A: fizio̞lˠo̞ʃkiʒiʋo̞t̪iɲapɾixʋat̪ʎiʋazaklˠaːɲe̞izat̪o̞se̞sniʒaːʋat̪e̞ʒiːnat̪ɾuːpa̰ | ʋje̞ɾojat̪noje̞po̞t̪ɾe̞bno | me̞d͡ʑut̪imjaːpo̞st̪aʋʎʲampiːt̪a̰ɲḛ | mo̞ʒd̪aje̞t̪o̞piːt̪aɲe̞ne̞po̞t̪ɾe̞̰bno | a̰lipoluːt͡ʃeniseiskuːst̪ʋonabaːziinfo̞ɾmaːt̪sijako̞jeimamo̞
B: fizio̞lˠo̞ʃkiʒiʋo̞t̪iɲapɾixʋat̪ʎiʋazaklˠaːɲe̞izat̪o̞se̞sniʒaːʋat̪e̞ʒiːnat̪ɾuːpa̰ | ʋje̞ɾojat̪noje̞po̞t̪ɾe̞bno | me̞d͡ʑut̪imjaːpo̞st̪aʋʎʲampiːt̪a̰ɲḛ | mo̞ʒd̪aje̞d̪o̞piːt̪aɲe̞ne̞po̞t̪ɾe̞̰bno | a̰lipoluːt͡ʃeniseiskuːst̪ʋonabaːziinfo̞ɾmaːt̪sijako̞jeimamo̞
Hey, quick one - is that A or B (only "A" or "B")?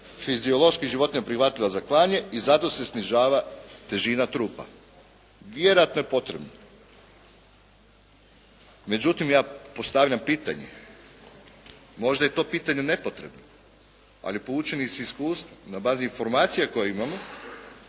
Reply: A